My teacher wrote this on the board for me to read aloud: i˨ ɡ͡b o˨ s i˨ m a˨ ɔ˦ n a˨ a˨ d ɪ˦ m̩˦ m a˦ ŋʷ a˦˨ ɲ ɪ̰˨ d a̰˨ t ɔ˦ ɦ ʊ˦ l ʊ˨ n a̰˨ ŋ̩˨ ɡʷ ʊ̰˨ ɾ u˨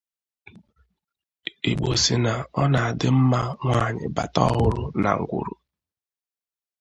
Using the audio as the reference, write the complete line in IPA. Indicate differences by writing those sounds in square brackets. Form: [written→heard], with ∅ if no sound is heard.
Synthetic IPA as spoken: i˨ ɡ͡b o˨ s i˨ [m→n] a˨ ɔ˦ n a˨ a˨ d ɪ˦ m̩˦ m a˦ ŋʷ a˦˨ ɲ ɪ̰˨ [d→b] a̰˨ t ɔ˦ ɦ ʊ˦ [l→ɾ] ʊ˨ n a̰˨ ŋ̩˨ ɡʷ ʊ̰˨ ɾ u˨